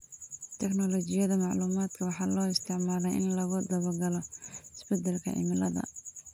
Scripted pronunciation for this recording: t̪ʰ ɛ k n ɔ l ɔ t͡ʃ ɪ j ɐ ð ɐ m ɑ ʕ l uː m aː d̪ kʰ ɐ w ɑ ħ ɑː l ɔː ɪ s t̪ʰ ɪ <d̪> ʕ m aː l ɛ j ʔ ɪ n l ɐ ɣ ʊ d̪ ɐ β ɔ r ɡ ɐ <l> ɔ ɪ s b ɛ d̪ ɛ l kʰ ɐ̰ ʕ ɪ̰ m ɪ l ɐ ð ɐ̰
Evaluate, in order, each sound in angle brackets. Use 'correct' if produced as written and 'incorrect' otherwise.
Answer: incorrect, correct

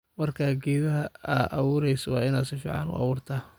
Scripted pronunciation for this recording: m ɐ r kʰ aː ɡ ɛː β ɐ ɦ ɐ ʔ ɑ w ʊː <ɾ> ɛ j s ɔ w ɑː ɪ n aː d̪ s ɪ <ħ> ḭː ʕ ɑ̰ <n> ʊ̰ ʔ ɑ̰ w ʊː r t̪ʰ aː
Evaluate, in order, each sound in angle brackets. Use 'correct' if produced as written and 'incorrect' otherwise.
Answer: correct, incorrect, correct

